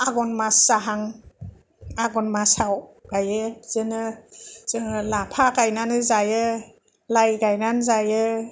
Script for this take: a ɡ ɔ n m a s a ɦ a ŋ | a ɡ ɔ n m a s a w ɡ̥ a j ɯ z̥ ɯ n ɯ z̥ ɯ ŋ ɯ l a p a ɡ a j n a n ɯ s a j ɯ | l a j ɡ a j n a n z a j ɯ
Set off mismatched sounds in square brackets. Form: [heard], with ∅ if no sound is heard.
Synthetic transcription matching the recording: a ɡ ɔ n m a s a ɦ a ŋ | a ɡ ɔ n m a s a w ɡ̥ a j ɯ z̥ ɯ n ɯ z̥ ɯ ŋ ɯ l a [pʰ] a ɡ a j n a n ɯ [z] a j ɯ | l a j ɡ a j n a n z a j ɯ